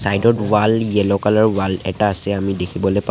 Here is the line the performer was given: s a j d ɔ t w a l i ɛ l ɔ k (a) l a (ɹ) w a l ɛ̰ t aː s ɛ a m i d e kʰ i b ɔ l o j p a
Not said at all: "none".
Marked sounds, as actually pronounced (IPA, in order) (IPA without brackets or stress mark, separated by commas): a, ɹ